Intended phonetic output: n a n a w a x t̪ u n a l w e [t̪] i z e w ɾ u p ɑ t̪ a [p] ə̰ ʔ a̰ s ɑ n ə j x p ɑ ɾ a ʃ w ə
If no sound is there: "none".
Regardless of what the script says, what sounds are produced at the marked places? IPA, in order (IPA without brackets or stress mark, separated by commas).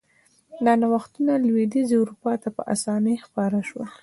d̪, p